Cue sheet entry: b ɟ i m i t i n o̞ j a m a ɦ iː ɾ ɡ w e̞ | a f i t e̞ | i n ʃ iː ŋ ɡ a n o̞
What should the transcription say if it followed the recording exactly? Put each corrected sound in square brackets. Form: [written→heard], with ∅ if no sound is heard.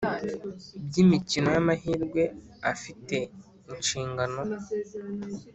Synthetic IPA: b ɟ i m i [t→c] i n o̞ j a m a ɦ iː ɾ ɡ w e̞ | a f i t e̞ | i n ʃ iː ŋ ɡ a n o̞